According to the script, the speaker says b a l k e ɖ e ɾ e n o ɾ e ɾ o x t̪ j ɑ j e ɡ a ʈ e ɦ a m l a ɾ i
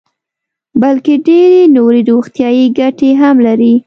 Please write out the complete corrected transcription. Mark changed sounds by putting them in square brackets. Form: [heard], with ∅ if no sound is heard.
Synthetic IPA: b a l k e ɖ e ɾ e n o ɾ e ɾ o x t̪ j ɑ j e ɡ a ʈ e ɦ a m l a ɾ i